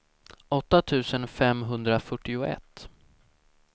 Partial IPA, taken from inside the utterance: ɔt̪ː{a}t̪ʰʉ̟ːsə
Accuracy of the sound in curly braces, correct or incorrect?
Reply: correct